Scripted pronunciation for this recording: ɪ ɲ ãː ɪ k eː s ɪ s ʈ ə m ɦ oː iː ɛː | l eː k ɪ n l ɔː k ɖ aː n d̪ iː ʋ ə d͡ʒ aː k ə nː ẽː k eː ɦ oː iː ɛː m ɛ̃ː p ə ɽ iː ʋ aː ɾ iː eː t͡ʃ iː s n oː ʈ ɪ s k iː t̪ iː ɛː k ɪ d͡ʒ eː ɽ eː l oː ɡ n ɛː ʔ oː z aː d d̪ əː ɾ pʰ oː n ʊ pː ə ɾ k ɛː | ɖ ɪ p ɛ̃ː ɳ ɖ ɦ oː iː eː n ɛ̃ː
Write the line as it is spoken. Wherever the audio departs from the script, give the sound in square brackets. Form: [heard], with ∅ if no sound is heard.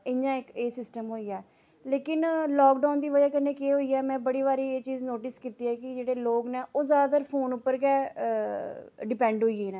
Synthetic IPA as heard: ɪ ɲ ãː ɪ k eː s ɪ s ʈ ə m ɦ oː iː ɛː | l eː k ɪ n l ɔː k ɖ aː n d̪ iː ʋ ə d͡ʒ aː k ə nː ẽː k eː ɦ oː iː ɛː m ɛ̃ː [b] ə ɽ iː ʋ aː ɾ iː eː t͡ʃ iː [z] n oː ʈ ɪ s k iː t̪ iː ɛː k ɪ d͡ʒ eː ɽ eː l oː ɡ n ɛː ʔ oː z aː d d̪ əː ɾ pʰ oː n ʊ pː ə ɾ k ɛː | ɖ ɪ p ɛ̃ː ɳ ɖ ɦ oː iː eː n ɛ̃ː